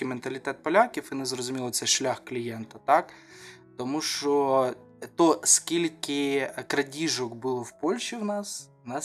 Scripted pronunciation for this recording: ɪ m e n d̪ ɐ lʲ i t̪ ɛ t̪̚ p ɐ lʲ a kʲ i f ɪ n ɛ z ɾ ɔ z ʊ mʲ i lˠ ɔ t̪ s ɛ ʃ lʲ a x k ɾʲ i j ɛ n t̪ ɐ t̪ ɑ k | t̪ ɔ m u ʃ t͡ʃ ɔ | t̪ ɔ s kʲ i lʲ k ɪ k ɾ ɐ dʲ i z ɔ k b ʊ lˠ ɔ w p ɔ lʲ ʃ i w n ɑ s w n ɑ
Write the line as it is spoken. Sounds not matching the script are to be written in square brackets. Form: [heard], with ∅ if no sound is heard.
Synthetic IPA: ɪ m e n [t̪] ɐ lʲ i t̪ ɛ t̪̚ p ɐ lʲ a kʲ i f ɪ n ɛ z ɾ ɔ z ʊ mʲ i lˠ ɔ t̪ s ɛ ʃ lʲ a x k [lʲ] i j ɛ n t̪ ɐ t̪ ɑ k | t̪ ɔ m u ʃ t͡ʃ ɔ | t̪ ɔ s kʲ i lʲ k ɪ k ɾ ɐ dʲ i [ʒ] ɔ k b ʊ lˠ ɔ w p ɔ lʲ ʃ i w n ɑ s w n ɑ